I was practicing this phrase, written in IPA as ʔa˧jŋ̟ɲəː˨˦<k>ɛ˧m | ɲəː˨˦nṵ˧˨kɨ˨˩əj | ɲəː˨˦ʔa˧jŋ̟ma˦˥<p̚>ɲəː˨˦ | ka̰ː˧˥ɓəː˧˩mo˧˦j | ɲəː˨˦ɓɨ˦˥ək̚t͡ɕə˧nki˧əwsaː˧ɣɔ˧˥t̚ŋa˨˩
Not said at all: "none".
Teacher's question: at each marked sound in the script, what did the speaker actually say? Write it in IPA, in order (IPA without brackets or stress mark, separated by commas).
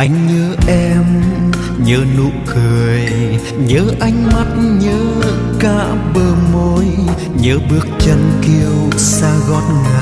ʔ, t̚